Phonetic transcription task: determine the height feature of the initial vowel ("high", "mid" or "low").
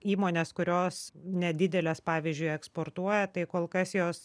high